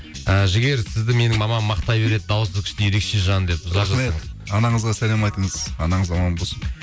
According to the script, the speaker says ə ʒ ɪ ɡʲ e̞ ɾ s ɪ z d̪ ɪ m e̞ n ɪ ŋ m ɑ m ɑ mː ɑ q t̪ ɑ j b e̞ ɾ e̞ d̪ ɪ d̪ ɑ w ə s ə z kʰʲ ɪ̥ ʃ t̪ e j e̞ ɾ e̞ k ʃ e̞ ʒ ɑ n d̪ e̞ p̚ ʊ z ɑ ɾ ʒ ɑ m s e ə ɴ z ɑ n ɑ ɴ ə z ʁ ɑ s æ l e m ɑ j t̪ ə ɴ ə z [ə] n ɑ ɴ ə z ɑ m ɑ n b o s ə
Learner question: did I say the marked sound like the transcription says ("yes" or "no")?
no